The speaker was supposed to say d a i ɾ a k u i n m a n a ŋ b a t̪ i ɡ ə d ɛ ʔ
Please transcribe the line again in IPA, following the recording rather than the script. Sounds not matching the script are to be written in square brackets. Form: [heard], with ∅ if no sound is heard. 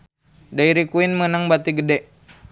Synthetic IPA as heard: d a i ɾ [i] k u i n m [ə] n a ŋ b a t̪ i ɡ ə d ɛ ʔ